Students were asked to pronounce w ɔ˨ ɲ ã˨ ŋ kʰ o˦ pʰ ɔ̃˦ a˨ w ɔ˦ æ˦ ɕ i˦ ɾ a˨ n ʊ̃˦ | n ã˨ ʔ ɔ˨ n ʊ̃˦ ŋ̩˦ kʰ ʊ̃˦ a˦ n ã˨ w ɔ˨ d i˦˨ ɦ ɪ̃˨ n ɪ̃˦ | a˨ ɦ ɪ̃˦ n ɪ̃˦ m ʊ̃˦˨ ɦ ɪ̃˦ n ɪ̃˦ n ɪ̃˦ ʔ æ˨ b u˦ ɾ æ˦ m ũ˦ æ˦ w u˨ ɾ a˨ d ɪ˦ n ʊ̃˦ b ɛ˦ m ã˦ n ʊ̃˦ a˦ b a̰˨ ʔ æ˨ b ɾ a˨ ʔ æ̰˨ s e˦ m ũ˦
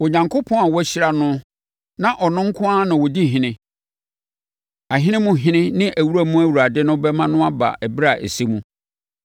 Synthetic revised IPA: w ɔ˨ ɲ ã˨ ŋ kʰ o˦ pʰ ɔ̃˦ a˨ w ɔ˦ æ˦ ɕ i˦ ɾ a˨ n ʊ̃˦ | n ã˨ ʔ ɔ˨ n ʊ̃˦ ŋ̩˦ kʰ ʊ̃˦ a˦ n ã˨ w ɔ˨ d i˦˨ ɦ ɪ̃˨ n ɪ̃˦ | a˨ ɦ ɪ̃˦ n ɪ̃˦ m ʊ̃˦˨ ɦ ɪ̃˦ n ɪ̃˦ n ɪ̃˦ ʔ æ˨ w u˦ ɾ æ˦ m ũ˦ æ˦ w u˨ ɾ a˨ d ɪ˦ n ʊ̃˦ b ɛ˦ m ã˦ n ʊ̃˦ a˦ b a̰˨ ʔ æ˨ b ɾ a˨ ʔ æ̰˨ s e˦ m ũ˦